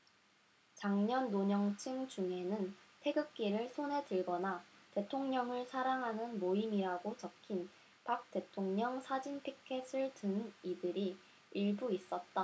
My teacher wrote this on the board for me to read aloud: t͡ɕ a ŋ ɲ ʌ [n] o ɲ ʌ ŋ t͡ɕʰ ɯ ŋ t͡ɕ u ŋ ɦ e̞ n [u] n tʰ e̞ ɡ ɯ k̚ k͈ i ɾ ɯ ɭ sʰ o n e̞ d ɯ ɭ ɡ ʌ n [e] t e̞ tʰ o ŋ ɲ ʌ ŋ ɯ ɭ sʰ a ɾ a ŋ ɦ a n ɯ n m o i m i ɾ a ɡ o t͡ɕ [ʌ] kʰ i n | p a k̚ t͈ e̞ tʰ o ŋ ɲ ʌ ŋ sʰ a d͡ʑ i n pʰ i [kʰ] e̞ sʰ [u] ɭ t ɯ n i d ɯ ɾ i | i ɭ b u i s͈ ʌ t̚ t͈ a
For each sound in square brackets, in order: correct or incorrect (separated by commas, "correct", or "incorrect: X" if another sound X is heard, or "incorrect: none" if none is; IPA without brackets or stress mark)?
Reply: incorrect: nː, incorrect: ɯ, incorrect: a, correct, correct, incorrect: ɯ